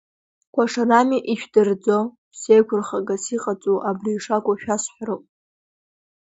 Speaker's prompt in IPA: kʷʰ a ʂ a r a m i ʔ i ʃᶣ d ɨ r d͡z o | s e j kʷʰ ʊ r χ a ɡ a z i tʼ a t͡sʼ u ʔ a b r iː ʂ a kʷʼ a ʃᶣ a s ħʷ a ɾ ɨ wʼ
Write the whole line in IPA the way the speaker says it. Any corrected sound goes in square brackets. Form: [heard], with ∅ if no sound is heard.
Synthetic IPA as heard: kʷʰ a ʂ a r a m i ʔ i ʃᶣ d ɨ r d͡z o | s e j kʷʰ ʊ r χ a ɡ a [s] i [qʼ] a t͡sʼ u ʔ a b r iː ʂ a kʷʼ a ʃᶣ a s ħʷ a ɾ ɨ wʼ